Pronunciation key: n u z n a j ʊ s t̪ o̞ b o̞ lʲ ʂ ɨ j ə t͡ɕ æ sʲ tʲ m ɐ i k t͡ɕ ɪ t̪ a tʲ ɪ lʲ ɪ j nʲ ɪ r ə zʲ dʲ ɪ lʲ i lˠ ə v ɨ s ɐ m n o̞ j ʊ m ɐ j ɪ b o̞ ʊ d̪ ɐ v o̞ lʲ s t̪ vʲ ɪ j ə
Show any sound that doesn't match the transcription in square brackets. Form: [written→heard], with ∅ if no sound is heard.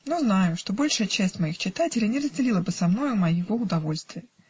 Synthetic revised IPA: n u z n a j ʊ [s→ʂ] t̪ o̞ b o̞ lʲ ʂ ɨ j ə t͡ɕ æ sʲ tʲ m ɐ i [k→x] t͡ɕ ɪ t̪ a tʲ ɪ lʲ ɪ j nʲ ɪ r ə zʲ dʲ ɪ lʲ i lˠ ə [v→b] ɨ s ɐ m n o̞ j ʊ m ɐ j ɪ [b→v] o̞ ʊ d̪ ɐ v o̞ lʲ s t̪ vʲ ɪ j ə